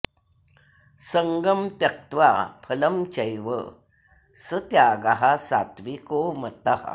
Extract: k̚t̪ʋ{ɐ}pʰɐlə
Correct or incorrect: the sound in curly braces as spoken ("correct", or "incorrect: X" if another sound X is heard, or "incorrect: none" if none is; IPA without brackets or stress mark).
incorrect: a